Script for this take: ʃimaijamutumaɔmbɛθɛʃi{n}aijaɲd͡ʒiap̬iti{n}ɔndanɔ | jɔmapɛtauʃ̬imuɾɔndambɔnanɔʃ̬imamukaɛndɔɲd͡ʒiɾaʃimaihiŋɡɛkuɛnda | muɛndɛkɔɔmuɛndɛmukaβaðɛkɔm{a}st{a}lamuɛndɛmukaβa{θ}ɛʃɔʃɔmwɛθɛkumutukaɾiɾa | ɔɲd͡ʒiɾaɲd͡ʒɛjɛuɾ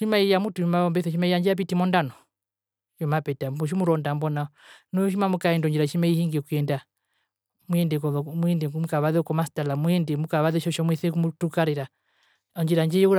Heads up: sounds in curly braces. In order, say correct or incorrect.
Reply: incorrect: m, incorrect: m, correct, correct, incorrect: ð

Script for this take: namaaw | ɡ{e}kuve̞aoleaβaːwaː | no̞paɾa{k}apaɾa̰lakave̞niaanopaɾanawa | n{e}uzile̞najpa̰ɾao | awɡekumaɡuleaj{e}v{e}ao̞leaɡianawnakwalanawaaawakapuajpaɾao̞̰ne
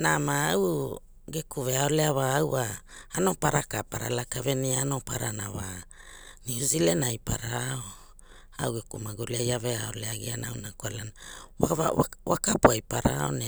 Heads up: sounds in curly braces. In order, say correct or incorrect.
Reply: correct, correct, incorrect: i, incorrect: a, correct

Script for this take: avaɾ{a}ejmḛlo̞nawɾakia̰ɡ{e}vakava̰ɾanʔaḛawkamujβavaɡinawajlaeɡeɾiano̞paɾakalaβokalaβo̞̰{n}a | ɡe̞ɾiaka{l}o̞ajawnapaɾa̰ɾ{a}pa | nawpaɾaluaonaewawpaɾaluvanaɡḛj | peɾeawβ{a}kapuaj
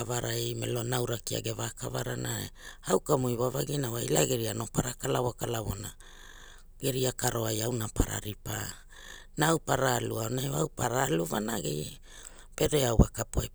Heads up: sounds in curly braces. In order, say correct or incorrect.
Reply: correct, correct, correct, incorrect: ɾ, incorrect: i, correct

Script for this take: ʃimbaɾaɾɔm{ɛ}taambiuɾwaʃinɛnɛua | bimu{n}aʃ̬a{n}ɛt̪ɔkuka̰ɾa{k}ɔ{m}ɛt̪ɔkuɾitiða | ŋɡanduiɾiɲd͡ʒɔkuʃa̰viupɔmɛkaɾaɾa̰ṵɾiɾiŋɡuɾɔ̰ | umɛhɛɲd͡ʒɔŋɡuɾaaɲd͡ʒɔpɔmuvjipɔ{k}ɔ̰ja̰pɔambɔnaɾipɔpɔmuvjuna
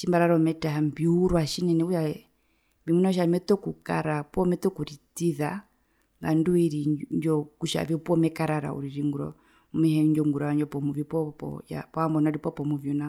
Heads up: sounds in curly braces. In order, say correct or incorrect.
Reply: correct, correct, incorrect: m, incorrect: p, correct, incorrect: p

